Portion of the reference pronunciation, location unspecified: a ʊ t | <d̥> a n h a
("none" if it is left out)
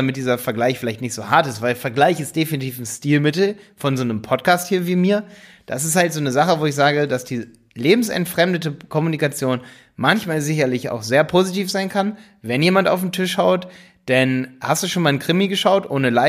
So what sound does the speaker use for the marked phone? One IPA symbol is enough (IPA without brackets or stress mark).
d̥